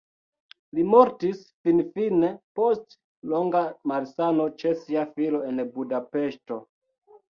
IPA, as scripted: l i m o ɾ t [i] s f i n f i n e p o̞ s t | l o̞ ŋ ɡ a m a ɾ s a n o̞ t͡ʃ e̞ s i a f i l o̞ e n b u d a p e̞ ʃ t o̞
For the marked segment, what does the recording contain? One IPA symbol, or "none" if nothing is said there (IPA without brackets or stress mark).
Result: i